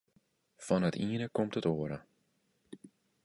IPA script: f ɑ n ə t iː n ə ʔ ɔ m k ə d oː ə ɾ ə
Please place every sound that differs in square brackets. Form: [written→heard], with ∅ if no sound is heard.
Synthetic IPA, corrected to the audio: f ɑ n ə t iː n ə [ʔ→k] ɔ m [k→t] ə [d→t] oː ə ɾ ə